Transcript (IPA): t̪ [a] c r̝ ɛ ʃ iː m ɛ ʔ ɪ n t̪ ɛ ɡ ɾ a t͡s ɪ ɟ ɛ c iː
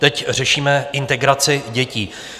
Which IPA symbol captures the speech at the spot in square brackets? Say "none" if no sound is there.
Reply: ɛ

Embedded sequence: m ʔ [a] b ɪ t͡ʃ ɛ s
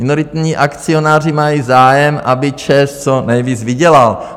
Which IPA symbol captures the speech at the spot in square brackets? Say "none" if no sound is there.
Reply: a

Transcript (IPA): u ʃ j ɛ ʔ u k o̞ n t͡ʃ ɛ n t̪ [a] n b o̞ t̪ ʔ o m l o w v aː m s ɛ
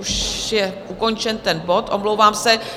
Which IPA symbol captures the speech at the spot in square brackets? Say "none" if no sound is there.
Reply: ɛ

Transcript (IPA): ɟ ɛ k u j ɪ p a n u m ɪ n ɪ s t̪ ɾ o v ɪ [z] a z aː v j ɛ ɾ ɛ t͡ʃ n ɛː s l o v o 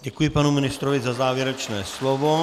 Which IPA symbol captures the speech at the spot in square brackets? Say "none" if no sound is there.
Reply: z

